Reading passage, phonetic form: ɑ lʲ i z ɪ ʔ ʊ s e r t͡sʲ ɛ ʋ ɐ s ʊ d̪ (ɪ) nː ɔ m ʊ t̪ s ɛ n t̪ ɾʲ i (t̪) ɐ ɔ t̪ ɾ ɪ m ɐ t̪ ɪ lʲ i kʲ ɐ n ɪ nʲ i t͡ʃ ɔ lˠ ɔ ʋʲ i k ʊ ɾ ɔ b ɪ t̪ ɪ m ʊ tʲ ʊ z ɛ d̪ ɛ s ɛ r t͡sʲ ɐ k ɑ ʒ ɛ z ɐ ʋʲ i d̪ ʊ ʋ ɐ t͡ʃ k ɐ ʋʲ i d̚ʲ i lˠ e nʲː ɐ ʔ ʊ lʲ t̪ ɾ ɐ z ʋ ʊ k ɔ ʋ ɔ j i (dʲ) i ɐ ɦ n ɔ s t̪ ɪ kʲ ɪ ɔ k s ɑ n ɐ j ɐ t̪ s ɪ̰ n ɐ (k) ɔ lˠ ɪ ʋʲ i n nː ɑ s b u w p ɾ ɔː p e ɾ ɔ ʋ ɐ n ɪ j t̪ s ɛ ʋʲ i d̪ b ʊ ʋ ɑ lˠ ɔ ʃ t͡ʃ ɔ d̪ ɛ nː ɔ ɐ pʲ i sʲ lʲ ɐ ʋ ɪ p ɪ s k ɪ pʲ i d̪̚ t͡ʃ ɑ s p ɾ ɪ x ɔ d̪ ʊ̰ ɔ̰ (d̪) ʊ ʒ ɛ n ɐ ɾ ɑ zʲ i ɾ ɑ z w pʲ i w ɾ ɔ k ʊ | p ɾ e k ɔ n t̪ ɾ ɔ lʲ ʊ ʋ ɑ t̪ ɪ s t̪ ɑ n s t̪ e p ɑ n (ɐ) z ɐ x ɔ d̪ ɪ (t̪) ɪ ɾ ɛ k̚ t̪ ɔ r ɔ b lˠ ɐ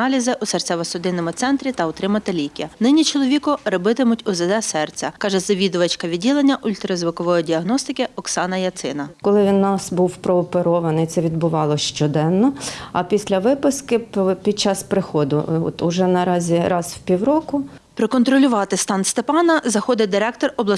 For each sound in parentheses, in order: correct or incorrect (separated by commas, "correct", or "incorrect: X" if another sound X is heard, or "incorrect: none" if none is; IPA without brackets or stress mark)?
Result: correct, correct, correct, correct, incorrect: t̪, correct, incorrect: d̪